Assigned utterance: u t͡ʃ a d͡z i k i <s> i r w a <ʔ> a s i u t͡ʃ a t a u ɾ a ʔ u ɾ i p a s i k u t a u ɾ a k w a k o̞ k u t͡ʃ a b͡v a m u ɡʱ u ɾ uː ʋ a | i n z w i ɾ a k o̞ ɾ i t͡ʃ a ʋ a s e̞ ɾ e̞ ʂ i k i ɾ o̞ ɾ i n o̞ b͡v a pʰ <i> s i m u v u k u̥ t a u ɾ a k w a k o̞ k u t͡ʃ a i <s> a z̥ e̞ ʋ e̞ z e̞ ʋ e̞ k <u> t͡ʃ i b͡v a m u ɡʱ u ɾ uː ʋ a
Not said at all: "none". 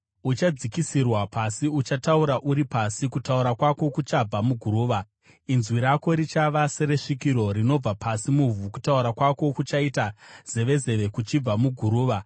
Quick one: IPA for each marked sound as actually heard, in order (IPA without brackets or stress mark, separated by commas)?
s, p, a, t, u